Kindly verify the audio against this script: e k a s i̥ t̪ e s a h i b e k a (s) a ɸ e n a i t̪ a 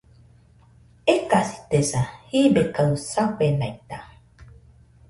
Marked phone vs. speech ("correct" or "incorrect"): correct